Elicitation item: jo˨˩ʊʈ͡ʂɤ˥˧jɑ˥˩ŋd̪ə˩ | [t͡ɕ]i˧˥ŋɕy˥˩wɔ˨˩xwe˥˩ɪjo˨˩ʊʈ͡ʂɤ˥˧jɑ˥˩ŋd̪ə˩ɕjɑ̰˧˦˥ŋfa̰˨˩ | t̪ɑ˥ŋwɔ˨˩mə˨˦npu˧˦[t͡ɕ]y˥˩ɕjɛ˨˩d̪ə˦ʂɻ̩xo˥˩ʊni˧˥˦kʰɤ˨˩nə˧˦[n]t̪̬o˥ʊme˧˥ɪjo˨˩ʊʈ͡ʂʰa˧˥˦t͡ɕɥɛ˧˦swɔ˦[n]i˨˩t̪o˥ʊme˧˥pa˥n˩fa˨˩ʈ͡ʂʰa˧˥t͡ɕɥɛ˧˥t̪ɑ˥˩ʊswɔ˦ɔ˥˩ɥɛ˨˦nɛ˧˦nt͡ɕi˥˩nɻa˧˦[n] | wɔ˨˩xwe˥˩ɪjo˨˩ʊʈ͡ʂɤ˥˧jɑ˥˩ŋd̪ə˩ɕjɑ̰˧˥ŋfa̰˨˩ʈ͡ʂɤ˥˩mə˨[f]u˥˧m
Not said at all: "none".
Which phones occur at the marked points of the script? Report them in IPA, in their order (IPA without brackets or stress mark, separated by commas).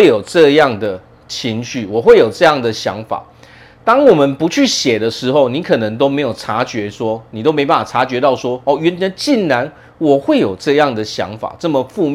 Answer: t͡ɕʰ, t͡ɕʰ, ŋ, n, n, f